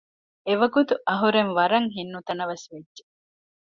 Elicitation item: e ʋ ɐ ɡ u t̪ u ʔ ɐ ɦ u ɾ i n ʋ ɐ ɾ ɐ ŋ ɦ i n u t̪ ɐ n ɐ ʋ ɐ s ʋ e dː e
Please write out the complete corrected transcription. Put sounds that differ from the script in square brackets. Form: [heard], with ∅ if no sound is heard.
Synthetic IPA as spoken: e ʋ ɐ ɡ u t̪ u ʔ ɐ ɦ u ɾ [e] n ʋ ɐ ɾ ɐ ŋ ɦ i [nː] u t̪ ɐ n ɐ ʋ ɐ s ʋ e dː e